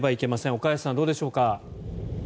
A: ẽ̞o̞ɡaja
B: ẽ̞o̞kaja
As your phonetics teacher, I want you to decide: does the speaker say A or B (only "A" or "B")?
B